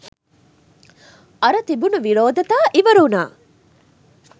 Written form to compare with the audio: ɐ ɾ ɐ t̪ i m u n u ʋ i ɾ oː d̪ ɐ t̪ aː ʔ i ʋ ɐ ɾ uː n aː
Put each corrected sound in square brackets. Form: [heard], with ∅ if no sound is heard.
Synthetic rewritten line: ɐ ɾ ɐ t̪ i [b] u n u ʋ i ɾ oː d̪ ɐ t̪ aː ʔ i ʋ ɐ ɾ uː n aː

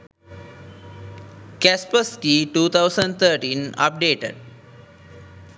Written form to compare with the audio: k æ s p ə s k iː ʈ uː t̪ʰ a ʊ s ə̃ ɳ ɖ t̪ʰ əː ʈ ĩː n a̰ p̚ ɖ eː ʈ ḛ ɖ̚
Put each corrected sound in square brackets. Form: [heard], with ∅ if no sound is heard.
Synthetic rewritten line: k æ s p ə s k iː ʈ uː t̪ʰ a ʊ s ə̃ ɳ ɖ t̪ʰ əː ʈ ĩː n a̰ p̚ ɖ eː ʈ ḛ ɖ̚

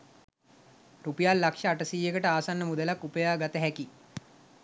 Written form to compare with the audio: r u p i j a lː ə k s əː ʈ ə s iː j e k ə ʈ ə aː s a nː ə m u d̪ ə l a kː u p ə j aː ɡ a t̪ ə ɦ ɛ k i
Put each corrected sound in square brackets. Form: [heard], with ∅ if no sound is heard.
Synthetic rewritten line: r u p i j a lː [a] k [ʂ] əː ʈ ə s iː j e k ə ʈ ə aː s a nː ə m u d̪ ə l a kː u p ə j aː ɡ a t̪ ə ɦ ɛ k i

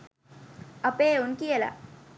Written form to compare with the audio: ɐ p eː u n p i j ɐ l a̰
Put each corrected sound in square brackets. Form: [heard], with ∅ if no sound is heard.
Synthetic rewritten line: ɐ p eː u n [k] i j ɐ l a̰

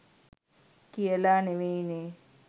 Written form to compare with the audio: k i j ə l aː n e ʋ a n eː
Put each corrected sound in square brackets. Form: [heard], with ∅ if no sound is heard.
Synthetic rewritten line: k i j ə l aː n e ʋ [e] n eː

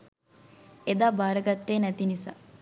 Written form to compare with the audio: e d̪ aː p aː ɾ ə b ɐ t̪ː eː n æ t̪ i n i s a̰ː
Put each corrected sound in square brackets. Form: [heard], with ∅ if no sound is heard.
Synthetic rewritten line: e d̪ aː [b] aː ɾ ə [ɡ] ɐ t̪ː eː n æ t̪ i n i s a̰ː

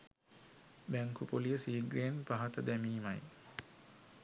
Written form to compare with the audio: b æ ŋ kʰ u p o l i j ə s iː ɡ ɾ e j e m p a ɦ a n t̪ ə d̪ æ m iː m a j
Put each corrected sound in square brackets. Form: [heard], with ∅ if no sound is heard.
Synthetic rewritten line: b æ ŋ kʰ u p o l i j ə s iː ɡ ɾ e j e [n] p a ɦ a [∅] t̪ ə d̪ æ m iː m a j

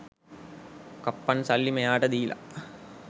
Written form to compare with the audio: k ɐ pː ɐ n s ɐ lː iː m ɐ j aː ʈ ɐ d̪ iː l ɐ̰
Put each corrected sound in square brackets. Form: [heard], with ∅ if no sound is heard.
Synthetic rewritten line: k ɐ pː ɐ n s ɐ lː [i] m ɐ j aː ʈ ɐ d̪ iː l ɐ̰

